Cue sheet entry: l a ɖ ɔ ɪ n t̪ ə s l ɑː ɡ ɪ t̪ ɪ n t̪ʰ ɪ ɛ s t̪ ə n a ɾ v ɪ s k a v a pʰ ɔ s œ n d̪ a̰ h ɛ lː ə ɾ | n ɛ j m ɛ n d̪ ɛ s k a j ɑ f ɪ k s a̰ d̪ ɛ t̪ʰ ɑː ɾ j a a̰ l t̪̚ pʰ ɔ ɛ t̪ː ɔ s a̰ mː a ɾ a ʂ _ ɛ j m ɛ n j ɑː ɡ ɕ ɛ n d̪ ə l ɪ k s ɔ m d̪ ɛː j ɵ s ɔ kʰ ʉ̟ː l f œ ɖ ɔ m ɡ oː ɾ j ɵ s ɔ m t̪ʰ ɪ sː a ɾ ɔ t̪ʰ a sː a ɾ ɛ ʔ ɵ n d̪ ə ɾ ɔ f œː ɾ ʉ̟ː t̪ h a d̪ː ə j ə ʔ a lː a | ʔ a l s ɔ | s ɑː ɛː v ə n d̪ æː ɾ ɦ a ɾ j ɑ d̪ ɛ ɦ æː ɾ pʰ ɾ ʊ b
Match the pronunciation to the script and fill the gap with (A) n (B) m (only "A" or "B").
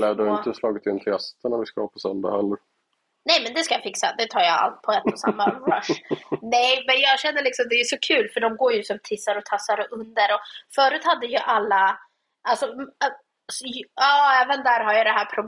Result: A